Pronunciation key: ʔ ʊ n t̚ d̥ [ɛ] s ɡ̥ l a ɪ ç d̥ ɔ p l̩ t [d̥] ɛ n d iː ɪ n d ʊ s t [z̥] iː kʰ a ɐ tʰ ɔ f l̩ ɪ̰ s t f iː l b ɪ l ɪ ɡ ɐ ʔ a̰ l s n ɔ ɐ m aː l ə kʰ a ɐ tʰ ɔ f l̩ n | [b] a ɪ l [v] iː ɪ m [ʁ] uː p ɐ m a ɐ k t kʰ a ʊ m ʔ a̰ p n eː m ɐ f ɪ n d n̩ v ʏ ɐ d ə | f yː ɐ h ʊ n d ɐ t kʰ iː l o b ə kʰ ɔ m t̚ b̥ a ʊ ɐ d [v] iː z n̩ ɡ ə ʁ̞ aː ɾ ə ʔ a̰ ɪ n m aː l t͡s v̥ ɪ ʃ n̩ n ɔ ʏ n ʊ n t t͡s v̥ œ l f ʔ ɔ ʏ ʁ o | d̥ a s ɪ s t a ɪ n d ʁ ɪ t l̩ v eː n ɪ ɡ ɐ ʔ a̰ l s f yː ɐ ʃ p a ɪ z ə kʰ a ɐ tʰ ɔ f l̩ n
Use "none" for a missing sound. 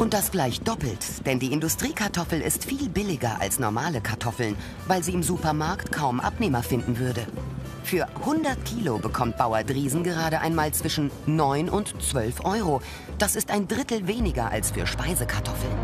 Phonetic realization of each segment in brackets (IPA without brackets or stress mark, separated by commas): a, d̥, ʁ̥, v, z, z, ʁ